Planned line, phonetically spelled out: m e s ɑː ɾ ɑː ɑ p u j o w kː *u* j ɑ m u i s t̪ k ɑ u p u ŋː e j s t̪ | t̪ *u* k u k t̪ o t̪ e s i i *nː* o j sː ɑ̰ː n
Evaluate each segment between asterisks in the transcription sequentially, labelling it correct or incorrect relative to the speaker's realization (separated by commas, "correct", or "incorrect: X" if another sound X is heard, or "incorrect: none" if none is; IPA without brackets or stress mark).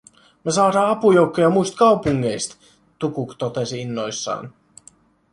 incorrect: o, correct, correct